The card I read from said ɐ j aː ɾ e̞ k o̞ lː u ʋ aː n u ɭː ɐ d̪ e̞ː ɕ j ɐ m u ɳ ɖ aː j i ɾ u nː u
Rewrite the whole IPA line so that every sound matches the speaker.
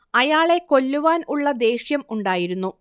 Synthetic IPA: ɐ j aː ɭ e̞ k o̞ lː u ʋ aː n u ɭː ɐ d̪ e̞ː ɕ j ɐ m u ɳ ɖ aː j i ɾ u nː u